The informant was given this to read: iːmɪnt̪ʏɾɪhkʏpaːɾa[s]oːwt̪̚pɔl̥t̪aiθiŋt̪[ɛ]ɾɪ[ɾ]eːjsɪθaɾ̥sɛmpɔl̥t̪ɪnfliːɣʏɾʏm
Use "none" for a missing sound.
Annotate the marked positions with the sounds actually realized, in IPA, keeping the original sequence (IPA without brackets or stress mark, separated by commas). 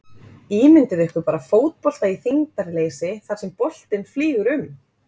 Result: f, a, l